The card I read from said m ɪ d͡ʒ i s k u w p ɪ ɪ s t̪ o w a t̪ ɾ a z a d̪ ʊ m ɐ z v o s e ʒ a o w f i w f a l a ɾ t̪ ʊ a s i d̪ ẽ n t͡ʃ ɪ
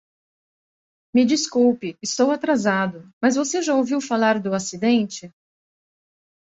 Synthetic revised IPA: m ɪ d͡ʒ i s k u w p ɪ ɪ s t̪ o w a t̪ ɾ a z a d̪ ʊ m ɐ z v o s e ʒ a o w v i w f a l a ɾ d̪ ʊ a s i d̪ ẽ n t͡ʃ ɪ